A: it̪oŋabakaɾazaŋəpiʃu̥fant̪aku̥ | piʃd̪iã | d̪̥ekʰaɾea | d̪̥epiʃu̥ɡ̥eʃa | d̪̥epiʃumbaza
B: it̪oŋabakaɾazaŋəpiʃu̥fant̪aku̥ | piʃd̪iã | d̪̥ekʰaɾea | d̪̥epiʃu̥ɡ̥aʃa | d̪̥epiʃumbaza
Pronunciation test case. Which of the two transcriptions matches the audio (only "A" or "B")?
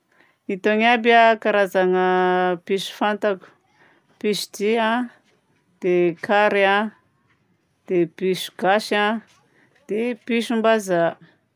B